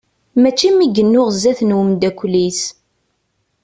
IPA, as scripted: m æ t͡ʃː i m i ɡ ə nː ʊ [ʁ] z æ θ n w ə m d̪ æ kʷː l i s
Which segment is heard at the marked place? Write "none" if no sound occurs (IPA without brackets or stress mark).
ʁ